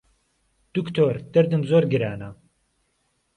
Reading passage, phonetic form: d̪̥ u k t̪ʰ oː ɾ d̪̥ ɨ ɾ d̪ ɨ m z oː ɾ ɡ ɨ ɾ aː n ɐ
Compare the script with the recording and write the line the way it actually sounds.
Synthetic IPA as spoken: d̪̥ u k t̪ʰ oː ɾ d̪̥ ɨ ɾ d̪ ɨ m z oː ɾ ɡ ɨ ɾ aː n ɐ

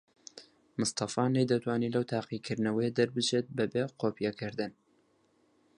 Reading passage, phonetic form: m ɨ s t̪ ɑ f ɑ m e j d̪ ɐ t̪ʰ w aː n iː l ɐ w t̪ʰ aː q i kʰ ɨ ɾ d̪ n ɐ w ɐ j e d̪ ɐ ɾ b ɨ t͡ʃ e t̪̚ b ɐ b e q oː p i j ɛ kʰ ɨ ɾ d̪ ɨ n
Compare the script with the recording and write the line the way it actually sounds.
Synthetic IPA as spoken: m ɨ s t̪ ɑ f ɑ n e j d̪ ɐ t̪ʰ w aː n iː l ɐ w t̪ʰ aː q i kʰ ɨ ɾ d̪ n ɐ w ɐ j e d̪ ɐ ɾ b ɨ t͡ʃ e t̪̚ b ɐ b e q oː p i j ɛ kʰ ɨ ɾ d̪ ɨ n

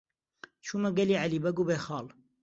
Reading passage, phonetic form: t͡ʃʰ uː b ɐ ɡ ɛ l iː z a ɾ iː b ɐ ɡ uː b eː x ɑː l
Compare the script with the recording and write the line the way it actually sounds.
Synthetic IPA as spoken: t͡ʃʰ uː m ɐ ɡ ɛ l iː ʕ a l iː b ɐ ɡ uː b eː x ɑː l

